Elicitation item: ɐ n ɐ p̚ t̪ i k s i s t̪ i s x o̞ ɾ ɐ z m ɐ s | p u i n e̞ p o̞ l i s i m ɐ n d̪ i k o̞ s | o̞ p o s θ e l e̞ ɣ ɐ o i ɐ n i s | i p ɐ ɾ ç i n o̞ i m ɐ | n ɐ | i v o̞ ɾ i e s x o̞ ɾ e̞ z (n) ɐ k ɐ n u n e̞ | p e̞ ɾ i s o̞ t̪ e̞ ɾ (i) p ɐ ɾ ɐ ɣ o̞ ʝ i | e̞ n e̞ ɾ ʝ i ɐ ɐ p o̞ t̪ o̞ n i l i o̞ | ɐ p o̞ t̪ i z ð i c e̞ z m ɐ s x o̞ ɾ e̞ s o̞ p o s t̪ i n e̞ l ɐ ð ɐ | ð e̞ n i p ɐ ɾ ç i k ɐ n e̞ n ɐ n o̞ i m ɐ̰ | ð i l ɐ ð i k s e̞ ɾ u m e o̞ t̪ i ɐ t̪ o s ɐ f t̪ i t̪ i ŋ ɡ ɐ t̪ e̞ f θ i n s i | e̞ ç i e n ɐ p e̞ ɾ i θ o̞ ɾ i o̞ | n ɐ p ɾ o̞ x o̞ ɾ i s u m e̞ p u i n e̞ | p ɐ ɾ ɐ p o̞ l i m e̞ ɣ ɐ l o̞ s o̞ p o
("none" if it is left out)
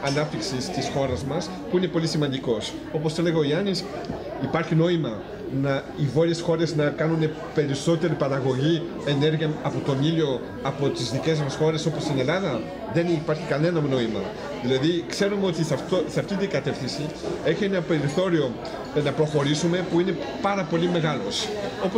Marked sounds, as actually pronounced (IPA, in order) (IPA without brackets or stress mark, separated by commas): n, i